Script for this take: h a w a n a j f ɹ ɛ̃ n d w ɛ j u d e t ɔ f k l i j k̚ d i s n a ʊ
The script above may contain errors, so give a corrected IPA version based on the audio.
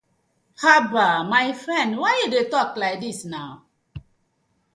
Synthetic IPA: h a b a m a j f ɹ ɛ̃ n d w a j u d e t ɔ k l a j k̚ d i s n a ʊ